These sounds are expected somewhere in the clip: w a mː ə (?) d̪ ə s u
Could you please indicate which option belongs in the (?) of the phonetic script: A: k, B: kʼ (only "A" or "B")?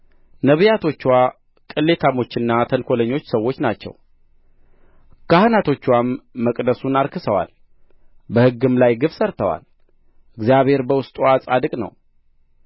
B